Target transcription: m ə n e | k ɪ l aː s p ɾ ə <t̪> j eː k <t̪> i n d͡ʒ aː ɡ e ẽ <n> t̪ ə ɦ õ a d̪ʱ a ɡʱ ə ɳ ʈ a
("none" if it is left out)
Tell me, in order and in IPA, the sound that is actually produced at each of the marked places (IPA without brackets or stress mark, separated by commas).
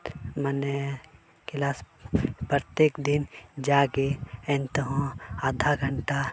t̪, d̪, n